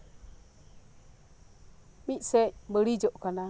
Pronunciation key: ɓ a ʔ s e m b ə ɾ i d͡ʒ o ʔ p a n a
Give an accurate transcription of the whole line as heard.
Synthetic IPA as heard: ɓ i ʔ s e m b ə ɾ i d͡ʒ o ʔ k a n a